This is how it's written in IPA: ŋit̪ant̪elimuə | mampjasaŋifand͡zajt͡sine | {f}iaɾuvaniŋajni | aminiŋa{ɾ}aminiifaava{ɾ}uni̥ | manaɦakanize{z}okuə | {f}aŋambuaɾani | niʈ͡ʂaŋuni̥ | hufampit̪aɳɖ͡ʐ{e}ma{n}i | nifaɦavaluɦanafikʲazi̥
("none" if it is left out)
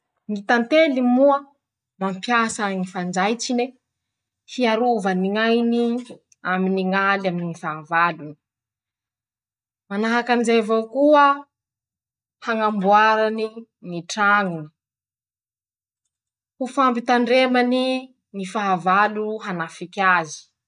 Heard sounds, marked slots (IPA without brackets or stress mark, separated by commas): h, l, l, v, h, e, n